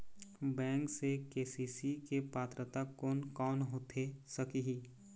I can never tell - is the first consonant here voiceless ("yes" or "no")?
no